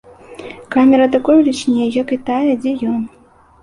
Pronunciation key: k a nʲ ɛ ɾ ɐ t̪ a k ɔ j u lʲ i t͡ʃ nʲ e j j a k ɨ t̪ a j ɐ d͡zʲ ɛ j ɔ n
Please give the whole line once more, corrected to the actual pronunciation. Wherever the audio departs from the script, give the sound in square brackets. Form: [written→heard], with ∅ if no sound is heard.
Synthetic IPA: k a [nʲ→mʲ] ɛ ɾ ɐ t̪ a k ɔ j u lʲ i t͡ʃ nʲ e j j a k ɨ t̪ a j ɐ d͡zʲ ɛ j ɔ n